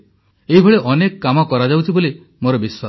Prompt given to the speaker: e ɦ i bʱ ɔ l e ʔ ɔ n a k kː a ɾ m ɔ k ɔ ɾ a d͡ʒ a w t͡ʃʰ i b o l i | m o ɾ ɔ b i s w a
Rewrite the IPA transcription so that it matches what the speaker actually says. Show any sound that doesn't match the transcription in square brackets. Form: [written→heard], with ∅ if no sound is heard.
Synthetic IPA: e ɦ i bʱ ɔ [l→ɭ] e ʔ ɔ n [a→e] k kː a [ɾ→∅] m ɔ k ɔ ɾ a d͡ʒ a w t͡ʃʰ i b o l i | m o ɾ ɔ b i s w a

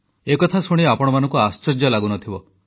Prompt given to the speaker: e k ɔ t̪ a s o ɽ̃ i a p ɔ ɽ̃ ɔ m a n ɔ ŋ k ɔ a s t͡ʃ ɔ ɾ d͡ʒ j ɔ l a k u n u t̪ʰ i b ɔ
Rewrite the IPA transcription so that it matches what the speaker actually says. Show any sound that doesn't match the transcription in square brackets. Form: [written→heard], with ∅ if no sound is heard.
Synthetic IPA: e k ɔ [t̪→t̪ʰ] a s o ɽ̃ i a p ɔ ɽ̃ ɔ m a n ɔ ŋ k [ɔ→u] a s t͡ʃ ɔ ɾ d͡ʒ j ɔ l a [k→ɡ] u n [u→ɔ] t̪ʰ i b ɔ

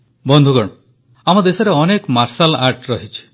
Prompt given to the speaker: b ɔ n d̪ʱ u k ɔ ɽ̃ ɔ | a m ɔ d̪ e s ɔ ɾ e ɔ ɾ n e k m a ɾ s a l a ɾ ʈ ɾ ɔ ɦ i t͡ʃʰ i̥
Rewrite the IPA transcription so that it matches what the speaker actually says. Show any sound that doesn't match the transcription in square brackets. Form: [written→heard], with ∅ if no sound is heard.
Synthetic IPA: b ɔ n d̪ʱ u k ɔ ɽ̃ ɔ | a m ɔ d̪ e s ɔ ɾ e ɔ [ɾ→∅] n e k m a ɾ s a l a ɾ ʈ ɾ ɔ ɦ i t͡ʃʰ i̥

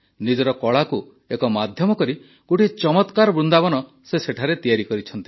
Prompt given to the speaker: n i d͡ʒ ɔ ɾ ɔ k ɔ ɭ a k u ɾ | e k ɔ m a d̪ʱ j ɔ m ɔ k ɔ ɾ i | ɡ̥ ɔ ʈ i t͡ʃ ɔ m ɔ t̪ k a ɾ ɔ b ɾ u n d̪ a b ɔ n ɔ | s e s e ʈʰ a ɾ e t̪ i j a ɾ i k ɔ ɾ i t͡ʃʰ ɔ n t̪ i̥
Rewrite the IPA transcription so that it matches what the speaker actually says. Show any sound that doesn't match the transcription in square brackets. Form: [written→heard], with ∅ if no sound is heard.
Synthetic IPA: n i d͡ʒ ɔ ɾ ɔ k ɔ ɭ a k u [ɾ→∅] | e k ɔ m a d̪ʱ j ɔ m ɔ k ɔ ɾ i | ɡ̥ [ɔ→o] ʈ i t͡ʃ ɔ m ɔ t̪ k a ɾ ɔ b ɾ u n d̪ a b ɔ n ɔ | s e s e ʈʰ a ɾ e t̪ i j a ɾ i k ɔ ɾ i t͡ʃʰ ɔ n t̪ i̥

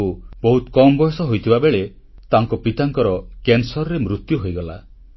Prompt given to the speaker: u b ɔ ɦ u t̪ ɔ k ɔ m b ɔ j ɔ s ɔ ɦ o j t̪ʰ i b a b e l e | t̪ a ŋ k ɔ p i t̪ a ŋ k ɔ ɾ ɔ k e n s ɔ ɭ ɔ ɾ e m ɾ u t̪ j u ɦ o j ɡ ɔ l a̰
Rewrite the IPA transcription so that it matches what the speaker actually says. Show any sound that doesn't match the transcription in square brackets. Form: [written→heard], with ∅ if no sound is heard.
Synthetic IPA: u b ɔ ɦ u t̪ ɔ k ɔ m b ɔ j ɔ s ɔ ɦ o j t̪ʰ i b a b e [l→ɭ] e | t̪ a ŋ k ɔ p i t̪ a ŋ k ɔ ɾ ɔ k e n s ɔ [ɭ→ɾ] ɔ ɾ e m ɾ u t̪ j u ɦ o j ɡ ɔ l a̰

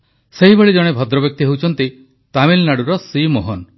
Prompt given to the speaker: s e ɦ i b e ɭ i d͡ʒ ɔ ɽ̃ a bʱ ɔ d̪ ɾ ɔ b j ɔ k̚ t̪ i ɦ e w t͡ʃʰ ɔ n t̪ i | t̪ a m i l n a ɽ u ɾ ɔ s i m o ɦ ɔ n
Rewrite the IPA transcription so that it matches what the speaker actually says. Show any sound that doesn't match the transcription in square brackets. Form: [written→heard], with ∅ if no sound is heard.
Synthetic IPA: s e ɦ i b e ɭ i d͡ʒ ɔ ɽ̃ [a→e] bʱ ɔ d̪ ɾ ɔ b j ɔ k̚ t̪ i ɦ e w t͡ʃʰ ɔ n t̪ i | t̪ a m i l n a ɽ u ɾ ɔ s i m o ɦ ɔ n

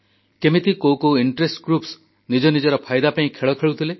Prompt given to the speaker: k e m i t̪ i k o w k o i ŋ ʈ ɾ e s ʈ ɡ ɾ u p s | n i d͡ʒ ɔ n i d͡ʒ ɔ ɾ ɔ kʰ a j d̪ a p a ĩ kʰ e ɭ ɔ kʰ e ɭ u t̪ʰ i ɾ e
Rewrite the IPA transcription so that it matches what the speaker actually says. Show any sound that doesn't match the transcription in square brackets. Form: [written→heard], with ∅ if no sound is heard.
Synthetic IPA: k e m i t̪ i k o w k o i [ŋ→ɳ] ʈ ɾ e s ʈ ɡ ɾ u p s | n i d͡ʒ ɔ n i d͡ʒ ɔ ɾ ɔ [kʰ→pʰ] a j d̪ a p a ĩ kʰ e ɭ ɔ kʰ e ɭ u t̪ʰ i [ɾ→l] e

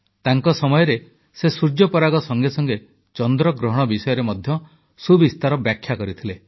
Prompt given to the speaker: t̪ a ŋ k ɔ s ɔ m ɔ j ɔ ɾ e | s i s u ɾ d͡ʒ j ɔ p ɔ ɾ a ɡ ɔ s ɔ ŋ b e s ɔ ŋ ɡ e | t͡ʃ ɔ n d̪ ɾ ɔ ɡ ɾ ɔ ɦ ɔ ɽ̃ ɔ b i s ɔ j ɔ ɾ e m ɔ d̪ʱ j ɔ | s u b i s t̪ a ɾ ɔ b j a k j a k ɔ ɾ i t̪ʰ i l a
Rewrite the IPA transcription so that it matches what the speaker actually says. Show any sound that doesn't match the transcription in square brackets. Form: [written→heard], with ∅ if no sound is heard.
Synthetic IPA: t̪ a ŋ k ɔ s ɔ m ɔ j ɔ ɾ e | s [i→e] s u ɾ d͡ʒ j ɔ p ɔ ɾ a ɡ ɔ s ɔ ŋ [b→ɡ] e s ɔ ŋ ɡ e | t͡ʃ ɔ n d̪ ɾ ɔ ɡ ɾ ɔ ɦ ɔ ɽ̃ ɔ b i s ɔ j ɔ ɾ e m ɔ d̪ʱ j ɔ | s u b i s t̪ a ɾ ɔ b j a [k→kʰ] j a k ɔ ɾ i t̪ʰ i l [a→e]

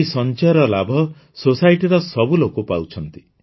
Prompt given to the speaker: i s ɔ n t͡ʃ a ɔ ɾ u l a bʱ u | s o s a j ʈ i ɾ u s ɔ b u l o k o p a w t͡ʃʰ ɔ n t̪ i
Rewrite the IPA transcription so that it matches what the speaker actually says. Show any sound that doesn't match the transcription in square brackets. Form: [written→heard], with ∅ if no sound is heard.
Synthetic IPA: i s ɔ n t͡ʃ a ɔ ɾ [u→ɔ] l a bʱ [u→ɔ] | s o s a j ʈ i ɾ [u→ɔ] s ɔ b u l o k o p a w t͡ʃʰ ɔ n t̪ i

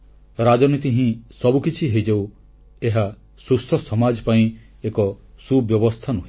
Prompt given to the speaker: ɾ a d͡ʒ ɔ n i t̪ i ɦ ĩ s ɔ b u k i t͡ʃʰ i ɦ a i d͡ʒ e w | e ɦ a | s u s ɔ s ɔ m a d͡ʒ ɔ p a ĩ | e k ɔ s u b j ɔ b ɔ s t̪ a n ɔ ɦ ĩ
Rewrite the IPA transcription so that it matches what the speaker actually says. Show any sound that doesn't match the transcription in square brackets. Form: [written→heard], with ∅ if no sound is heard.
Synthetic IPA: ɾ a d͡ʒ ɔ n i t̪ i ɦ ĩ s ɔ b u k i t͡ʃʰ i ɦ [a→e] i d͡ʒ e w | e ɦ a | s u s ɔ s ɔ m a d͡ʒ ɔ p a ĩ | e k ɔ s u b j ɔ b ɔ s [t̪→t̪ʰ] a n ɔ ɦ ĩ

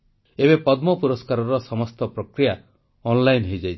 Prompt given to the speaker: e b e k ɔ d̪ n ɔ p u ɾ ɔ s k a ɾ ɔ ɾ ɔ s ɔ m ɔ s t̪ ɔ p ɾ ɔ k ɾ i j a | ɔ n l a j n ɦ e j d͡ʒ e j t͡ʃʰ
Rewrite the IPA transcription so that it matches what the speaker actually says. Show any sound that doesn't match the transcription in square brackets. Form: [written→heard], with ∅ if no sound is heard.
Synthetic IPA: e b e [k→p] ɔ d̪ [n→m] ɔ p u ɾ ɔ s k a ɾ ɔ ɾ ɔ s ɔ m ɔ s t̪ ɔ p ɾ ɔ k ɾ i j a | ɔ n l a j n ɦ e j d͡ʒ [e→a] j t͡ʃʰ

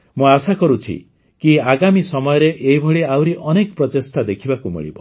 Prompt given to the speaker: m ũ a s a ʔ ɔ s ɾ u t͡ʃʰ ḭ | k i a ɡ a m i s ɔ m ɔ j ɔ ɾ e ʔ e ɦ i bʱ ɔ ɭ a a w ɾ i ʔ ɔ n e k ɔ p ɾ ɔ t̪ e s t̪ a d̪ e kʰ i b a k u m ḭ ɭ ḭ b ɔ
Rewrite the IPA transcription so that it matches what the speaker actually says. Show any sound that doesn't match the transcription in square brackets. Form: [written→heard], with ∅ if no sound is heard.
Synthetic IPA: m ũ a s a [ʔ→k] ɔ [s→∅] ɾ u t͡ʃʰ ḭ | k i a ɡ a m i s ɔ m ɔ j ɔ ɾ e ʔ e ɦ i bʱ ɔ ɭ [a→i] a w ɾ i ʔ ɔ n e k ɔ p ɾ ɔ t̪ e s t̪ a d̪ e kʰ i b a k u m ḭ ɭ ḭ b ɔ

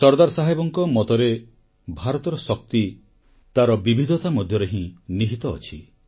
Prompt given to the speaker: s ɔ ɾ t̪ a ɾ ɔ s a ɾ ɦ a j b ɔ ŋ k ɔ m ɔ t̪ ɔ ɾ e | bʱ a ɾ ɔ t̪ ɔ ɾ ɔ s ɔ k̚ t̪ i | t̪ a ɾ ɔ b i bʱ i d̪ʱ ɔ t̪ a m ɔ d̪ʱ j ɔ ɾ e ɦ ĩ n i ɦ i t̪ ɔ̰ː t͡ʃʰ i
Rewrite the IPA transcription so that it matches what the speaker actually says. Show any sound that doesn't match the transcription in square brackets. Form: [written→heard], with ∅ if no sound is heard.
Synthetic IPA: s ɔ ɾ [t̪→d̪] a ɾ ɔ s a [ɾ→∅] ɦ a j b ɔ ŋ k ɔ m ɔ t̪ ɔ ɾ e | bʱ a ɾ ɔ t̪ ɔ ɾ ɔ s ɔ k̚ t̪ i | t̪ a ɾ ɔ b i bʱ i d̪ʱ ɔ t̪ a m ɔ d̪ʱ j ɔ ɾ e ɦ ĩ n i ɦ i t̪ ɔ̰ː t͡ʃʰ i

